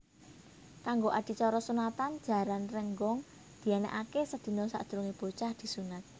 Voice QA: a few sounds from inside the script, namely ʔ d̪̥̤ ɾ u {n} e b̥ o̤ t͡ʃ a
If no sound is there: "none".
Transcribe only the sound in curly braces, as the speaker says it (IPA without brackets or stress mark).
ŋ